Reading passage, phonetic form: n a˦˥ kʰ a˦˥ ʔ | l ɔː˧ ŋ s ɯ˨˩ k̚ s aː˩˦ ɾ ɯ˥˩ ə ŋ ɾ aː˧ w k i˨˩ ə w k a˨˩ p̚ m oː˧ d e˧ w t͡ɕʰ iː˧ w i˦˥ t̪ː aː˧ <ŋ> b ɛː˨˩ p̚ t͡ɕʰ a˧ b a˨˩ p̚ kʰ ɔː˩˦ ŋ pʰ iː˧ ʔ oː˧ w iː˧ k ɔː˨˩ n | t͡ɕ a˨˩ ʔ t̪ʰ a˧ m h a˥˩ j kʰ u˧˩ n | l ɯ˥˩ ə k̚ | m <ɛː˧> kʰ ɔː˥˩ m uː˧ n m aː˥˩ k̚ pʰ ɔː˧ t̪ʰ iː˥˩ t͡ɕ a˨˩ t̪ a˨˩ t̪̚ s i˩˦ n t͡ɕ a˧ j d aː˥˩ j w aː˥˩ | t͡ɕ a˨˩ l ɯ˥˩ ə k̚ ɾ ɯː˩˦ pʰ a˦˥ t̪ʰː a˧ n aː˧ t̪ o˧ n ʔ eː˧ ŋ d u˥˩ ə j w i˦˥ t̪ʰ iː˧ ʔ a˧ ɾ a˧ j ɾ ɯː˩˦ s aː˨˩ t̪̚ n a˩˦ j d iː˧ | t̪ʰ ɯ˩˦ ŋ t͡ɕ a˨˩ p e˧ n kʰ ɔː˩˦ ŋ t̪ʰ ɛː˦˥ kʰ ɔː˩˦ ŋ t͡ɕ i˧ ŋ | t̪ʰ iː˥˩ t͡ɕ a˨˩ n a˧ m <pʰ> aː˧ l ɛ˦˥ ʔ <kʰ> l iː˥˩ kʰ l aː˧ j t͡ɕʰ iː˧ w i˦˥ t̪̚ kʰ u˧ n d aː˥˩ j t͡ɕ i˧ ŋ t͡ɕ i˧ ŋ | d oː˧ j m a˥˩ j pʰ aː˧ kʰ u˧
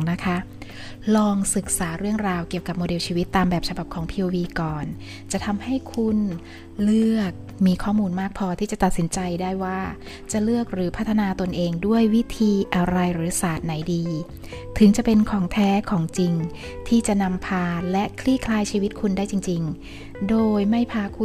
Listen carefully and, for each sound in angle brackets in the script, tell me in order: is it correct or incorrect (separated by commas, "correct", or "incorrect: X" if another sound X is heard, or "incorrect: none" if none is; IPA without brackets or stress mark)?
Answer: incorrect: m, incorrect: iː˧, correct, correct